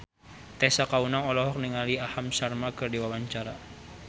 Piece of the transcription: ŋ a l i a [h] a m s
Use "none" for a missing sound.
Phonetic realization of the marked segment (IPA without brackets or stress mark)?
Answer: h